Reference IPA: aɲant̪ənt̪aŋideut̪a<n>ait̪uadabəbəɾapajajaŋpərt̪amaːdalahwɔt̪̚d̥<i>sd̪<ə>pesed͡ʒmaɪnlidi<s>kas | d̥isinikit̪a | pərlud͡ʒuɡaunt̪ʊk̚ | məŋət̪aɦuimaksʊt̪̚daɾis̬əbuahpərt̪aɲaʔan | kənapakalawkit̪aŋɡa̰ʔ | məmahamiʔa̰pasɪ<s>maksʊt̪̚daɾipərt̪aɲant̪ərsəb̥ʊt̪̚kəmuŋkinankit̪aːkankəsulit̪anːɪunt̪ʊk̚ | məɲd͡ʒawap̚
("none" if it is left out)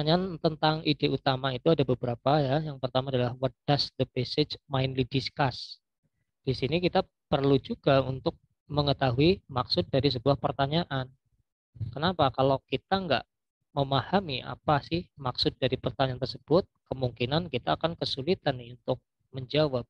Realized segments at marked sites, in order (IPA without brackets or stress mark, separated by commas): m, a, ə, s, h